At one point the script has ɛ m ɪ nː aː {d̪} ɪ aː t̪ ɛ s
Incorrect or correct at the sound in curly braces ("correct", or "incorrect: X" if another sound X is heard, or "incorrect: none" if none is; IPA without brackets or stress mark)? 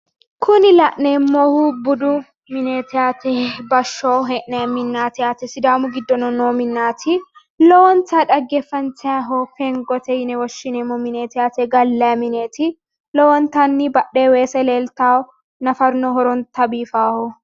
incorrect: t̪